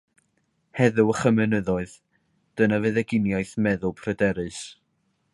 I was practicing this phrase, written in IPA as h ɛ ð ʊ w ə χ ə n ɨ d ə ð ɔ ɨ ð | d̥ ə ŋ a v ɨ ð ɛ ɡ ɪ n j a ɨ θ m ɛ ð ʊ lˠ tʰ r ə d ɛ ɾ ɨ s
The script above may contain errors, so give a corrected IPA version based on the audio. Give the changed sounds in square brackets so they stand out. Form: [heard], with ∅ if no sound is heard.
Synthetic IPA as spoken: h ɛ ð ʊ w ə χ ə [m] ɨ [n] ə ð ɔ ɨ ð | d̥ ə [n] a v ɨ ð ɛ ɡ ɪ n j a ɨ θ m ɛ ð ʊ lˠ [pʰ] r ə d ɛ ɾ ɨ s